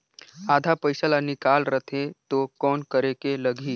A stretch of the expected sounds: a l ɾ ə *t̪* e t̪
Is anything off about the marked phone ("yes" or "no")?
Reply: yes